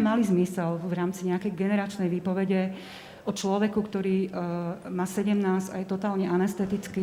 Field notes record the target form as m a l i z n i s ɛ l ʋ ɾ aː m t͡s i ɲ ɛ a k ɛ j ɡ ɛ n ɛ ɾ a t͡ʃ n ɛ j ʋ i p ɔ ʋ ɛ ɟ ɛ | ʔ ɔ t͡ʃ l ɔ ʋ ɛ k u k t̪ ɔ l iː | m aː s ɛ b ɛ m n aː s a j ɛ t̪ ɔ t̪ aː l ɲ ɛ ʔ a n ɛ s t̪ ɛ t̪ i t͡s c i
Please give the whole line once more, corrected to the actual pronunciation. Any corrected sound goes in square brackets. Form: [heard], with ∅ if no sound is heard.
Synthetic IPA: m a l i z [m] i s ɛ l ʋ ɾ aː m t͡s i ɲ ɛ a k ɛ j ɡ ɛ n ɛ ɾ a t͡ʃ n ɛ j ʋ [iː] p ɔ ʋ ɛ ɟ ɛ | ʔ ɔ t͡ʃ l ɔ ʋ ɛ k u k t̪ ɔ [ɾ] iː | m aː s ɛ [ɟ] ɛ m n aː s a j ɛ t̪ ɔ t̪ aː l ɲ ɛ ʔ a n ɛ s t̪ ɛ t̪ i t͡s [k] i